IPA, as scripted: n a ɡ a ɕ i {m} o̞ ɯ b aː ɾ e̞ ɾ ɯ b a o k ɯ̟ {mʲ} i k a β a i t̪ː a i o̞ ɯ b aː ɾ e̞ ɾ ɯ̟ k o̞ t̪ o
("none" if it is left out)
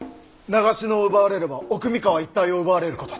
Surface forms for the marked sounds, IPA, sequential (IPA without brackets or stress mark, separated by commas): n, mʲ